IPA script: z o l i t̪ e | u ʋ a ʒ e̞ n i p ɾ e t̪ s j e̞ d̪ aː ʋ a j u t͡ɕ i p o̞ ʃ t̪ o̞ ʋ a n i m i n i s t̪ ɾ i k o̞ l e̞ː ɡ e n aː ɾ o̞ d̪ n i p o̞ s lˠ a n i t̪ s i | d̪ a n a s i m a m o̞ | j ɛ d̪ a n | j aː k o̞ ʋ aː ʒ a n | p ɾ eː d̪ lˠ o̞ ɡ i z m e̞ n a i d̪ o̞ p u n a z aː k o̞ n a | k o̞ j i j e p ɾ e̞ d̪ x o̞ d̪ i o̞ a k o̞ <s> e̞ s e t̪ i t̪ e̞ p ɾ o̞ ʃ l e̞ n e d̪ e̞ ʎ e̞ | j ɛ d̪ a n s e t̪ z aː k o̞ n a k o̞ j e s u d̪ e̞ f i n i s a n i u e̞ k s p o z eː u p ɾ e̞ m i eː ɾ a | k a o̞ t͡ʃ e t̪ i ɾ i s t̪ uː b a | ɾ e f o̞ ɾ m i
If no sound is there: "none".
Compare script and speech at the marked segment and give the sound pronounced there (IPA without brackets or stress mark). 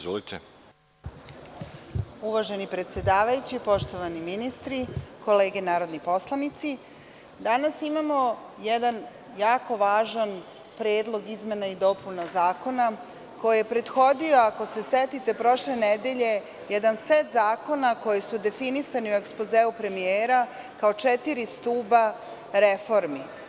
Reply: s